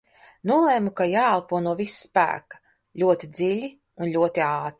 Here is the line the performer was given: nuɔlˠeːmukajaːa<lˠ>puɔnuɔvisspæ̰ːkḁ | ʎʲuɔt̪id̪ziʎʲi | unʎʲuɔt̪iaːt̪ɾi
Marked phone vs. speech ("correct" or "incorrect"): correct